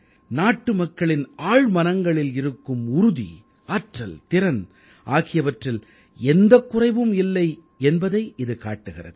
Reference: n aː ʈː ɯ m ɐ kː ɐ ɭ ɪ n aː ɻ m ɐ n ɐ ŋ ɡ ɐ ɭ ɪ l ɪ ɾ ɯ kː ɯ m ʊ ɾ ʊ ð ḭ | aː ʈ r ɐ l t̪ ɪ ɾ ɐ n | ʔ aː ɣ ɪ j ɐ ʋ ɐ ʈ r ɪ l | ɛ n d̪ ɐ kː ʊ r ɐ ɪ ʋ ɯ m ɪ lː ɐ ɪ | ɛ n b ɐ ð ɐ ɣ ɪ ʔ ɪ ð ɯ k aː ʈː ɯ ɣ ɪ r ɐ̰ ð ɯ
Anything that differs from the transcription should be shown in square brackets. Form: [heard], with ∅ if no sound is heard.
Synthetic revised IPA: n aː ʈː ɯ m ɐ kː ɐ ɭ ɪ n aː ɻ m ɐ n ɐ ŋ ɡ ɐ ɭ ɪ l ɪ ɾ ɯ kː ɯ m ʊ ɾ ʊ ð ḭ | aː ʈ r ɐ l t̪ ɪ ɾ ɐ n | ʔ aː ɣ ɪ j ɐ ʋ ɐ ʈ r ɪ l | ɛ n d̪ ɐ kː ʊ r ɐ ɪ ʋ ɯ m ɪ lː ɐ ɪ | ɛ n b ɐ ð ɐ [∅] ɪ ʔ ɪ ð ɯ k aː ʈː ɯ ɣ ɪ r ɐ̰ ð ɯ